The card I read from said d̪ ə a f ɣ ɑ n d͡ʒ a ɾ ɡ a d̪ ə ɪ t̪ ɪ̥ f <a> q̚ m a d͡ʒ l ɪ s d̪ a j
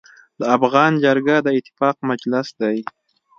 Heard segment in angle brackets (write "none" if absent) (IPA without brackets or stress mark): ɑ